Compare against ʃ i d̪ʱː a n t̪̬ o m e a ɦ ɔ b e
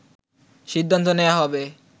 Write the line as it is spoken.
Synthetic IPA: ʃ i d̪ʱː a n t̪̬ o n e a ɦ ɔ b e